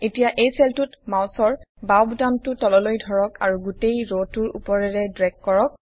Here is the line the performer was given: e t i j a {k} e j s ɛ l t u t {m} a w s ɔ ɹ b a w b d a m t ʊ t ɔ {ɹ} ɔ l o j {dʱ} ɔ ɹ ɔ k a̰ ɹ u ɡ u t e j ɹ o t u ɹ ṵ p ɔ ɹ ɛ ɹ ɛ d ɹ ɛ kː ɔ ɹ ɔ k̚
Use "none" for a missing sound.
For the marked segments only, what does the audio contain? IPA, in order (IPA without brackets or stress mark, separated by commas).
ʔ, m, l, dʱ